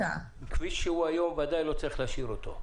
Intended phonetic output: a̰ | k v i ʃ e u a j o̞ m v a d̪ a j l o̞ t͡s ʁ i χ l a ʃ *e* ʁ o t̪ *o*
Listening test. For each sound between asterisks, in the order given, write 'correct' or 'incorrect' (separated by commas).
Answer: incorrect, correct